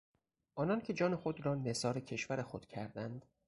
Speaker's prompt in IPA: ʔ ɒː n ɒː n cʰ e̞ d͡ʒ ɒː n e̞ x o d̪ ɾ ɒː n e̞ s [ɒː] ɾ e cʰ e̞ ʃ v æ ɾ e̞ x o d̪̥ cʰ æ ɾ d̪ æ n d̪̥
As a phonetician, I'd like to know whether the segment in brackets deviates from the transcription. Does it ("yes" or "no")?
no